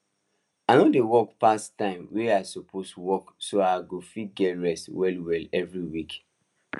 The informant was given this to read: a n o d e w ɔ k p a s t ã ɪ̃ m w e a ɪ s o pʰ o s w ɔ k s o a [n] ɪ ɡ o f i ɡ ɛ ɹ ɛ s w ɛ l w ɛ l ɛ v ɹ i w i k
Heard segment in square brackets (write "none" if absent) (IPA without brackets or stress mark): none